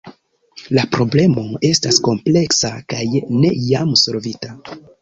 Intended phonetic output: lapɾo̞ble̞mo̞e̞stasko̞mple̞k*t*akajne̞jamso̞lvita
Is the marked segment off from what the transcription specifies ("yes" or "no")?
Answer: yes